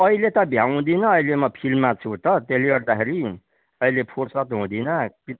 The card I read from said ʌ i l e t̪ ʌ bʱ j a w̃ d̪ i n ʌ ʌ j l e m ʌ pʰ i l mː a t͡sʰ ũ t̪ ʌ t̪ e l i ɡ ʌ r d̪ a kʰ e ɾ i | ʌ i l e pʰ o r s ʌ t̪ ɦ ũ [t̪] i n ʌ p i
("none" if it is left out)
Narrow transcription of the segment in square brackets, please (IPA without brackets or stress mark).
d̪